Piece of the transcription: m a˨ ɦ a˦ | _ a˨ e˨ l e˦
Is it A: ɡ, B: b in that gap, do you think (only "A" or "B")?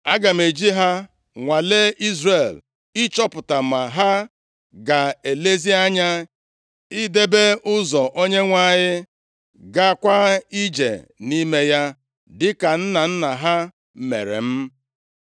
A